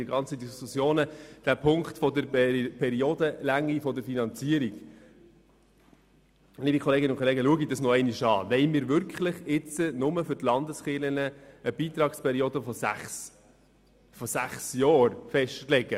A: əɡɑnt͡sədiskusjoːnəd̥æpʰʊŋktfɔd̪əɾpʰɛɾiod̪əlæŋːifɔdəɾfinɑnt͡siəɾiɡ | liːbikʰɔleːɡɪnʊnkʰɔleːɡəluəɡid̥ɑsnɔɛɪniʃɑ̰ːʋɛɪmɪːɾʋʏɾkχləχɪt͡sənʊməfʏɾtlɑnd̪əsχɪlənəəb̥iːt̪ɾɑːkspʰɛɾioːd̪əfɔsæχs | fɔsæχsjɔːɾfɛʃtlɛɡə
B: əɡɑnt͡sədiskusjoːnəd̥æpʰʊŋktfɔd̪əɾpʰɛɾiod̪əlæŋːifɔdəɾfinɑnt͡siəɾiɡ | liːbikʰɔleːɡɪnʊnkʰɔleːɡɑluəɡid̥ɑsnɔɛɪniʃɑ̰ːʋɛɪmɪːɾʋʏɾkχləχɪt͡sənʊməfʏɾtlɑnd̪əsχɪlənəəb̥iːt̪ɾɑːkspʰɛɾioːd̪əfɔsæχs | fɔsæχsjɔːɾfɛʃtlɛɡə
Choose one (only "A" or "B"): A